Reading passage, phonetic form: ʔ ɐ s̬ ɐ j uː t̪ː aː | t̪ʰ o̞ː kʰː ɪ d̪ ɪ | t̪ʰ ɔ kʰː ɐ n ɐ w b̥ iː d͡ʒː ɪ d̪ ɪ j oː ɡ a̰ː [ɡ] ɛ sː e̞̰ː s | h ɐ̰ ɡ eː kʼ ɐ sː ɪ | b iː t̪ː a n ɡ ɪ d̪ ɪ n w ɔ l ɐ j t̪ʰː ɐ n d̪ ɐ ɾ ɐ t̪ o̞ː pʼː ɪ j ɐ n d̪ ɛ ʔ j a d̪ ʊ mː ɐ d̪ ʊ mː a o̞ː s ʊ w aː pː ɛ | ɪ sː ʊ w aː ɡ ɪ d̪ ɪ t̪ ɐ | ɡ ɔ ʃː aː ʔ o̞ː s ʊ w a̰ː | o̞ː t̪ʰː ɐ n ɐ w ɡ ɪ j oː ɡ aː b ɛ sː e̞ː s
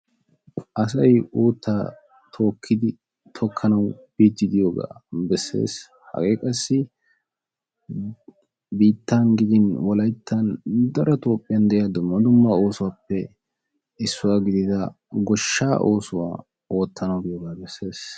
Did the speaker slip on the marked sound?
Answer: yes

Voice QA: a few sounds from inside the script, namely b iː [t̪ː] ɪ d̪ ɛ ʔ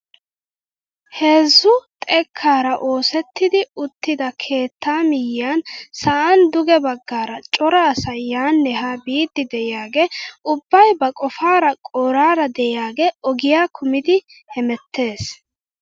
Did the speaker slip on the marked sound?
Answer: yes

